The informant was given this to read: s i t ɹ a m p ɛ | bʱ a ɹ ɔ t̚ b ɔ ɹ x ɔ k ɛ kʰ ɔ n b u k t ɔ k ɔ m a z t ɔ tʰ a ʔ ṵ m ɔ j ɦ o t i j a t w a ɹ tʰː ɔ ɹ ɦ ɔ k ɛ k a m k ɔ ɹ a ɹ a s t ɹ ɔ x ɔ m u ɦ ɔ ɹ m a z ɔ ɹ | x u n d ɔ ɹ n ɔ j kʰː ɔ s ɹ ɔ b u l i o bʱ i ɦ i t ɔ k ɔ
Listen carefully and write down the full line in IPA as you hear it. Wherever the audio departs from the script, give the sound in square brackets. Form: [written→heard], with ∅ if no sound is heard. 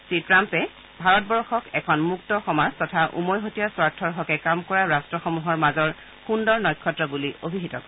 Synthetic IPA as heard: s i t ɹ a m p ɛ | bʱ a ɹ ɔ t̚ b ɔ ɹ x ɔ k ɛ kʰ ɔ n [b→m] u k t ɔ [k→x] ɔ m a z t ɔ tʰ a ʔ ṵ m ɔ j ɦ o t i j a [t→s] w a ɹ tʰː ɔ ɹ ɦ ɔ k ɛ k a m k ɔ ɹ a ɹ a s t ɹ ɔ x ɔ m u ɦ ɔ ɹ m a z ɔ ɹ | x u n d ɔ ɹ n ɔ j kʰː ɔ [s→t] ɹ ɔ b u l i o bʱ i ɦ i t ɔ k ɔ